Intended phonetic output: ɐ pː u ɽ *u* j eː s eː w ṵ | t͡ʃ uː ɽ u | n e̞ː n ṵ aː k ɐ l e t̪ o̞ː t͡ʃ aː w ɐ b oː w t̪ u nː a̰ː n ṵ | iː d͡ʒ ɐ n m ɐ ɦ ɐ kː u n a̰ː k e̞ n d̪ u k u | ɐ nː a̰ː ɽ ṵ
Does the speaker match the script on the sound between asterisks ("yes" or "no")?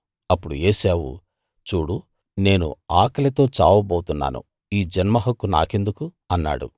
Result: yes